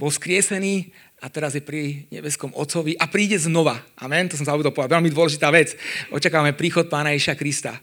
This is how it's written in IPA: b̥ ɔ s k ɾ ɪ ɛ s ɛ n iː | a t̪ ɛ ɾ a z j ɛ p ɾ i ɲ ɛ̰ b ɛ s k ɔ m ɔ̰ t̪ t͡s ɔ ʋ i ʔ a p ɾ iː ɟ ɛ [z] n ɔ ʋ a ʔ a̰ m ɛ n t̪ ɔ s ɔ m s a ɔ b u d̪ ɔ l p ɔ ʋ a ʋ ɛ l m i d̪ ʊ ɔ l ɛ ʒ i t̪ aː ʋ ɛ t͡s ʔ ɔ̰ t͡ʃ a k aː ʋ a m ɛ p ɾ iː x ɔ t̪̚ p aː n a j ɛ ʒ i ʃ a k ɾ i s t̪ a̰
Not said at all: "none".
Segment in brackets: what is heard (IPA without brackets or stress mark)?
z